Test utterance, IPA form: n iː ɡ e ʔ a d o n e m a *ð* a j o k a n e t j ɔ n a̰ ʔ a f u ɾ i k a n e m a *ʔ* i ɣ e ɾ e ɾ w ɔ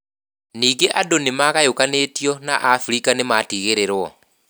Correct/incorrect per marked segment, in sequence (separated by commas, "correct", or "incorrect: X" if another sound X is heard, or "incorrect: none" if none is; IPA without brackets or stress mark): incorrect: ɣ, incorrect: t